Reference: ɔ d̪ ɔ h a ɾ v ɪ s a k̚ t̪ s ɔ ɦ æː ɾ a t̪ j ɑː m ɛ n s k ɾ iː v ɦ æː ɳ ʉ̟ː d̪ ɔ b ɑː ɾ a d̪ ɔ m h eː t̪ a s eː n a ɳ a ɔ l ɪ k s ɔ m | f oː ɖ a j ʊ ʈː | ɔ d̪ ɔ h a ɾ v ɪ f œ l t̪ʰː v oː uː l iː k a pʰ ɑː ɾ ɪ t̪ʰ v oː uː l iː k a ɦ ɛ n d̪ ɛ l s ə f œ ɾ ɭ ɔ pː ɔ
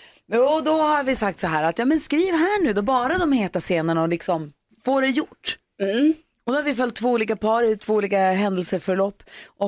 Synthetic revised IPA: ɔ d̪ ɔ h a ɾ v ɪ s a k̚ t̪ s ɔ ɦ æː ɾ a t̪ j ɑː m ɛ n s k ɾ iː v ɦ æː ɳ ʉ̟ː d̪ ɔ b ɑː ɾ a d̪ ɔ m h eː t̪ a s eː n a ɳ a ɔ l ɪ k s ɔ m | f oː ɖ ɛ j ʊ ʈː | ɔ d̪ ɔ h a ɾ v ɪ f œ l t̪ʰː v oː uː l iː k a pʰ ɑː ɾ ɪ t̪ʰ v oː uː l iː k a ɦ ɛ n d̪ ɛ l s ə f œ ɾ ɭ ɔ pː ɔ